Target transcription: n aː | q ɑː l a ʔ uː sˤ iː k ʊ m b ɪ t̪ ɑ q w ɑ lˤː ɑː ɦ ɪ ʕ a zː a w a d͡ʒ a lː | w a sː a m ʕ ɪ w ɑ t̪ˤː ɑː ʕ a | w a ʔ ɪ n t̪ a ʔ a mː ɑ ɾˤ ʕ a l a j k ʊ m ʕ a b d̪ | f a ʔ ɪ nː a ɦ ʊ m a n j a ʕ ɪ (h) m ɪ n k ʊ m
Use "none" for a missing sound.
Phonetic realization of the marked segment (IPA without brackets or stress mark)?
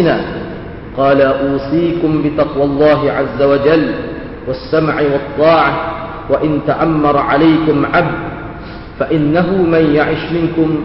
ʃ